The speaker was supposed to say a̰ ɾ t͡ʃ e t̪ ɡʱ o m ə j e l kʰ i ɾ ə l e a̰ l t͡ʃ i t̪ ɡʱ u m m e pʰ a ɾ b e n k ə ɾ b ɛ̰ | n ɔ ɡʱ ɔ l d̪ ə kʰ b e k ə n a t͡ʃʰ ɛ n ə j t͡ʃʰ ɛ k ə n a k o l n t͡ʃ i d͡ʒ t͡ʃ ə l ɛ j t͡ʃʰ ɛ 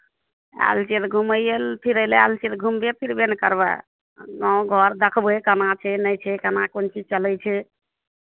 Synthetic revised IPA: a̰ l t͡ʃ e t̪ ɡʱ u m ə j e l pʰ i ɾ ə l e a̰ l t͡ʃ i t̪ ɡʱ u m b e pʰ i ɾ b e n k ə ɾ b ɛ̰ | n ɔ ɡʱ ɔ ɾ d̪ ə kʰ b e k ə n a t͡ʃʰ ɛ n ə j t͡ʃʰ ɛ k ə n a k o n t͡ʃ i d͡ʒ t͡ʃ ə l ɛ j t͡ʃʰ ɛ